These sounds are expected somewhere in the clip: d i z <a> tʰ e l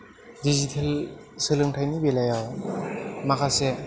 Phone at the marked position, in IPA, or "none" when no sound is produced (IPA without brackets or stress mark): i